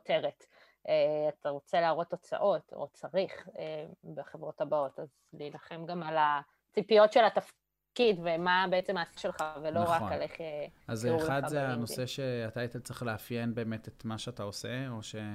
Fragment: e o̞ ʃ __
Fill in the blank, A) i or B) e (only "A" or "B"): B